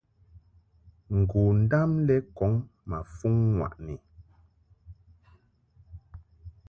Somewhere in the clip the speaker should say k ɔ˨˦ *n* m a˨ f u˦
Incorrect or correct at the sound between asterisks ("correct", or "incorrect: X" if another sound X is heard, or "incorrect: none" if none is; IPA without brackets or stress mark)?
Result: incorrect: ŋ